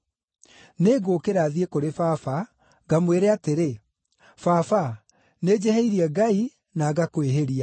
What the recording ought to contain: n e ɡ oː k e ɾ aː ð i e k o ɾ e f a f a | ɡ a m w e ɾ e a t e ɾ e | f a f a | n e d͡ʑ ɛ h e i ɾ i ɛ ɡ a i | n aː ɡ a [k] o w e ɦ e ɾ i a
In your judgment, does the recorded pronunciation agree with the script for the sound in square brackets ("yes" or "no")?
yes